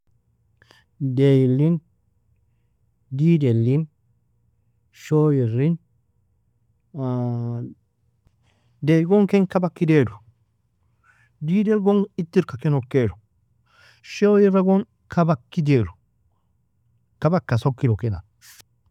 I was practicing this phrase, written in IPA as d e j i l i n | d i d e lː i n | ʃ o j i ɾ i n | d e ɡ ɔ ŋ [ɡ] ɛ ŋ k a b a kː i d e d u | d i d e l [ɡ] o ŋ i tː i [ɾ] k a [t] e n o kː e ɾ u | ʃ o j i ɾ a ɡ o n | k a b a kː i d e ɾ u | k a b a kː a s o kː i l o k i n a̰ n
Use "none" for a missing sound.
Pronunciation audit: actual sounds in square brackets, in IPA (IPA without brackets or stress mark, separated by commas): k, ɡ, ɾ, k